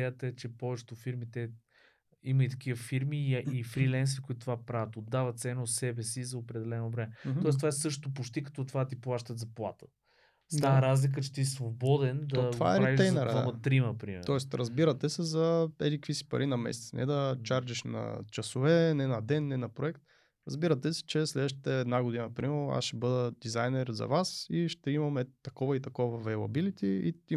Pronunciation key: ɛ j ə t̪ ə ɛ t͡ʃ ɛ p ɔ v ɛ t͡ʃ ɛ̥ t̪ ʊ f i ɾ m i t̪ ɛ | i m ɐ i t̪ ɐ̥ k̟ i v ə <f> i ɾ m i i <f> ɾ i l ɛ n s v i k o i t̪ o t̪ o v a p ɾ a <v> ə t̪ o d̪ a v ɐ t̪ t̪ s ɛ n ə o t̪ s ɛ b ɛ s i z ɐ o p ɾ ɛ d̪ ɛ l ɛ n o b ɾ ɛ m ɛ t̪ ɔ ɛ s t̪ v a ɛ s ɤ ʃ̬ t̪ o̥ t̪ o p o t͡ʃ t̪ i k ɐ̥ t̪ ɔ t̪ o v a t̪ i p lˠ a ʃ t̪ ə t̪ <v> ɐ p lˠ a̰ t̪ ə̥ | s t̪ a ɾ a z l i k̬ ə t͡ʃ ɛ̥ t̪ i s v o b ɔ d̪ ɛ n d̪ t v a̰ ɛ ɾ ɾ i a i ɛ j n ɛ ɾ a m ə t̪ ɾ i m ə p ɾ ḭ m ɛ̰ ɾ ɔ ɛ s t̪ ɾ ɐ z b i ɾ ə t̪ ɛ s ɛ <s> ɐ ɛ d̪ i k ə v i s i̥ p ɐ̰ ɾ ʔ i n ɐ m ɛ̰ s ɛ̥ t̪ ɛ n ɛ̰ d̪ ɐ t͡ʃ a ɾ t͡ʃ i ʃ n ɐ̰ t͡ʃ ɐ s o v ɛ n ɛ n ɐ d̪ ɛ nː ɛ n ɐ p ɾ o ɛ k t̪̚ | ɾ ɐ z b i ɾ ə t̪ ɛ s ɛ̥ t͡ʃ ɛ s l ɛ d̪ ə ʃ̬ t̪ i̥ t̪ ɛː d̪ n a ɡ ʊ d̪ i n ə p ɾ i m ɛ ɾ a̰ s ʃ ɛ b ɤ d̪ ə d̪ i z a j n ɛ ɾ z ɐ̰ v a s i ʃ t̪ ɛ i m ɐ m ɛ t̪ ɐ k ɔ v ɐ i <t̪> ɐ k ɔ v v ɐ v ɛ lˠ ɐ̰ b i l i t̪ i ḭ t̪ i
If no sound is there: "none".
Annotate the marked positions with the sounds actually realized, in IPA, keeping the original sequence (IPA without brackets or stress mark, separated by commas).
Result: f, f, v, z, z, t̪